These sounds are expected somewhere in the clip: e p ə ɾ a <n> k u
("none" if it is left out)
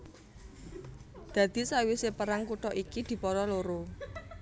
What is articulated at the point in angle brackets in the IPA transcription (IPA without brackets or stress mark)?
ŋ